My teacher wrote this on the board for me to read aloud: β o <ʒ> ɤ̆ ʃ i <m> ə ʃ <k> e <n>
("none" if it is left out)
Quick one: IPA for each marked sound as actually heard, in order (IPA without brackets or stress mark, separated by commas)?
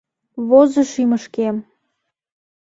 z, m, k, m